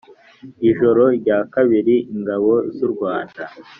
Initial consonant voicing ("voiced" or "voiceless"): voiced